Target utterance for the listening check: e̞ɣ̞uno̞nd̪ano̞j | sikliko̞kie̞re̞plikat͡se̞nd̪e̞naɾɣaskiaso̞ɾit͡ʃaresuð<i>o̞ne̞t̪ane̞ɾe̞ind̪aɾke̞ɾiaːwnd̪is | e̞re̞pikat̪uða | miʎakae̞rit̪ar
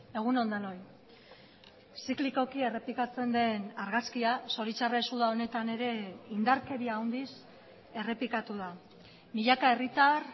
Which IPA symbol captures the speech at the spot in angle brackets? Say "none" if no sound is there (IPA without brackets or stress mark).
a